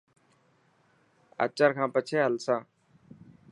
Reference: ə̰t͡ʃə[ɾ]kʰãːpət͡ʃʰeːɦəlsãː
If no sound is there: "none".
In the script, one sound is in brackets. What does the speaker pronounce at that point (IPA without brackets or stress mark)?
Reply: ɾ